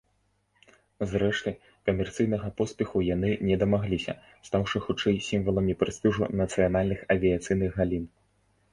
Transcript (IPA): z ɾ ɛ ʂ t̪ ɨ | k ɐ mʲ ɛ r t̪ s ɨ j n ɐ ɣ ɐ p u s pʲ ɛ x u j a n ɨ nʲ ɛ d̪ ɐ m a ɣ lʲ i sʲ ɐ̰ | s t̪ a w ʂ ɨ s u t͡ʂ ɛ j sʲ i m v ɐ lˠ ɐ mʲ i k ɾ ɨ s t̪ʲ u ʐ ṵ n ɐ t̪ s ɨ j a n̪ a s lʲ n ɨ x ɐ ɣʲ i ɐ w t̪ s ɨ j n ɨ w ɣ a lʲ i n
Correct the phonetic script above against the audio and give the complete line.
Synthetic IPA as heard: z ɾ ɛ ʂ t̪ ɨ | k ɐ mʲ ɛ r t̪ s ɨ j n ɐ ɣ ɐ p ɔ s pʲ ɛ x u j a n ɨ nʲ ɛ d̪ ɐ m a ɣ lʲ i sʲ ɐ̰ | s t̪ a w ʂ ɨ x u t͡ʂ ɛ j sʲ i m v ɐ lˠ ɐ mʲ i p ɾ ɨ s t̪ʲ u ʐ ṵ n ɐ t̪ s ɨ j a n̪ a lʲ n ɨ x ɐ vʲ i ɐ t̪ s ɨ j n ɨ ɣ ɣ a lʲ i n

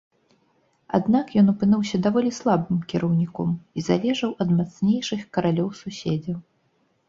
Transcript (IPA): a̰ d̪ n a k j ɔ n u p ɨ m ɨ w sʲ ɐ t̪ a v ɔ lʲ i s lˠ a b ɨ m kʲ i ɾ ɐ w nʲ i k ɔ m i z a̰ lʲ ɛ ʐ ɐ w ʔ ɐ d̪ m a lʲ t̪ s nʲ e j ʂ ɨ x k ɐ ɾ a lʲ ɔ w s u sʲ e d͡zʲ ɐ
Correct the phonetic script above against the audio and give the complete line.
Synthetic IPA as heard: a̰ d̪ n a k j ɔ n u p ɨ n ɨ w sʲ ɐ d̪ a v ɔ lʲ i s lˠ a b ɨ m kʲ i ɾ ɐ w nʲ i k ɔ m i z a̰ lʲ ɛ ʐ ɐ w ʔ ɐ d̪ m a t̪ s nʲ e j ʂ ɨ x k ɐ ɾ a lʲ ɔ w s u sʲ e d͡zʲ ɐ

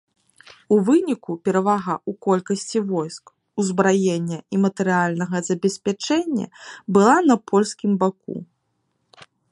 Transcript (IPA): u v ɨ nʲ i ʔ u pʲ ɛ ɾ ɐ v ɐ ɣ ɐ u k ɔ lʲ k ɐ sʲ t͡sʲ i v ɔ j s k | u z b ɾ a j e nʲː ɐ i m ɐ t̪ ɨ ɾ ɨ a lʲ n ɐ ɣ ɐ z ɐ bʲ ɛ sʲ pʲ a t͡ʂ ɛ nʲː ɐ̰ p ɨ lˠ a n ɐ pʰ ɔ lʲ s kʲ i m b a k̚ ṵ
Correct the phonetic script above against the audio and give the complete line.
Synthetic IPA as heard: u v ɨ nʲ i k u pʲ ɛ ɾ ɐ v a ɣ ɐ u k ɔ lʲ k ɐ sʲ t͡sʲ i v ɔ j s k | u z b ɾ a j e nʲː ɐ i m ɐ t̪ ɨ ɾ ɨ a lʲ n ɐ ɣ ɐ z ɐ bʲ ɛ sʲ pʲ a t͡ʂ ɛ nʲː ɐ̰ b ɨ lˠ a n ɐ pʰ ɔ lʲ s kʲ i m b a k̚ ṵ

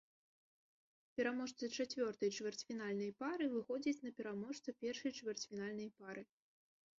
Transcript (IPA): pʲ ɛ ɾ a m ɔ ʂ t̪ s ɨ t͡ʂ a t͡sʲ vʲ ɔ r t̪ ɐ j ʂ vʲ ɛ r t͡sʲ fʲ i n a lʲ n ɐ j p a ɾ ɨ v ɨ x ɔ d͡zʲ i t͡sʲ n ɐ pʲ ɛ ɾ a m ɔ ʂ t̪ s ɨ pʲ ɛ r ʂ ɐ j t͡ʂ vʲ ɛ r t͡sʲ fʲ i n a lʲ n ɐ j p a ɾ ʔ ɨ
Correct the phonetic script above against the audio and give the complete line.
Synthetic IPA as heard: pʲ ɛ ɾ a m ɔ ʂ t̪ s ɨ t͡ʂ a t͡sʲ vʲ ɔ r t̪ ɐ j t͡ʂ vʲ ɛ r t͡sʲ fʲ i n a lʲ n ɐ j p a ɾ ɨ v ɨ x ɔ d͡zʲ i t͡sʲ n ɐ pʲ ɛ ɾ a m ɔ ʂ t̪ s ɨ pʲ ɛ r ʂ ɐ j t͡ʂ vʲ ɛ r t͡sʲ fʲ i n a lʲ n ɐ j p a ɾ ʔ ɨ

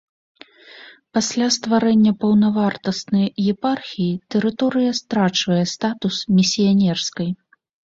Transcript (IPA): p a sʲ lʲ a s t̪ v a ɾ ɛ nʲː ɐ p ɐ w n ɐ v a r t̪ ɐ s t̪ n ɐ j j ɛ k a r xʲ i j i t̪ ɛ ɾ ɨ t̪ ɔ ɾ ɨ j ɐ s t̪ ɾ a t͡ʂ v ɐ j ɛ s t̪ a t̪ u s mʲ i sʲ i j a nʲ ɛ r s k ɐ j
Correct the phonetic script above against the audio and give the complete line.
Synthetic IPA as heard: p a sʲ lʲ a s t̪ v a ɾ ɛ nʲː ɐ p ɐ w n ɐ v a r t̪ ɐ s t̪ n ɐ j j ɛ p a r xʲ i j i t̪ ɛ ɾ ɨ t̪ ɔ ɾ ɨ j ɐ s t̪ ɾ a t͡ʂ v ɐ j ɛ s t̪ a t̪ u s mʲ i sʲ i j a nʲ ɛ r s k ɐ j

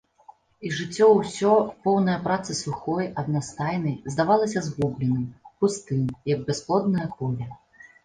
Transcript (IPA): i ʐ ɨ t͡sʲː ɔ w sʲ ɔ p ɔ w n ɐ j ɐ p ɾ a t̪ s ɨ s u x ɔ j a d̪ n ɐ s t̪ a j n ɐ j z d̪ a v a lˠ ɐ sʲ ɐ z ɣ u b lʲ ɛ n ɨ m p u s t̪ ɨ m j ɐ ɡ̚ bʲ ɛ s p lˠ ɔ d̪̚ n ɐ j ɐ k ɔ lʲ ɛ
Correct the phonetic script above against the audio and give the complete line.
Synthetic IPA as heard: i ʐ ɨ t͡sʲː ɔ w sʲ ɔ p ɔ w n ɐ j ɐ p ɾ a t̪ s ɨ s u x ɔ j ɐ d̪ n a s t̪ a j n ɐ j z d̪ a v a lˠ ɐ sʲ ɐ z ɣ u b lʲ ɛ n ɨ m p u s t̪ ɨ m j ɐ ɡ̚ bʲ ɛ s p lˠ ɔ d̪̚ n ɐ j ɐ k ɔ lʲ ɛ

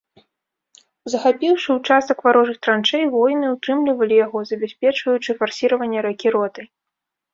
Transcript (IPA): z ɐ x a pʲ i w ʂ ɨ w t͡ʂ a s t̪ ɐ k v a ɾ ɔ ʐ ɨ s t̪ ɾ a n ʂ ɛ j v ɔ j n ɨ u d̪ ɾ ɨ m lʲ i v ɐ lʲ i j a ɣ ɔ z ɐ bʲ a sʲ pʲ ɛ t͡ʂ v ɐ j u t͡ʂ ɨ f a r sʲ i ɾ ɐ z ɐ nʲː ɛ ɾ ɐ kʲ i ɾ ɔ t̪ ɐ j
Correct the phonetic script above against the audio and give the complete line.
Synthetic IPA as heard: z ɐ x a pʲ i w ʂ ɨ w t͡ʂ a s t̪ ɐ k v a ɾ ɔ ʐ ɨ x t̪ ɾ a n t͡ʂ ɛ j v ɔ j n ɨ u t̪ ɾ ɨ m lʲ i v ɐ lʲ i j a ɣ ɔ z ɐ bʲ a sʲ pʲ ɛ t͡ʂ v ɐ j u t͡ʂ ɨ f a r sʲ i ɾ ɐ v ɐ nʲː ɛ ɾ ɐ kʲ i ɾ ɔ t̪ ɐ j

